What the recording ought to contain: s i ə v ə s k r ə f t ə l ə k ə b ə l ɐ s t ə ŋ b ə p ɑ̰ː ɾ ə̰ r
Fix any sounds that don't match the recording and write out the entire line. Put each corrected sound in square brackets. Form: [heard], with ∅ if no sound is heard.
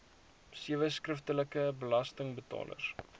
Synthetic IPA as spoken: s i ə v ə s k r ə f t ə l ə k ə b ə l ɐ s t ə ŋ b ə [t] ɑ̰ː [l] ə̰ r